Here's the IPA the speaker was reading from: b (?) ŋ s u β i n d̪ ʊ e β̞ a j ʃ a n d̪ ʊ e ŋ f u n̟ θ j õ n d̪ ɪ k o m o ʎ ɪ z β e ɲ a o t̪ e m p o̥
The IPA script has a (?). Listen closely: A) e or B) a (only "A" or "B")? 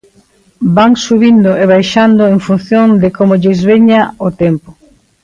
B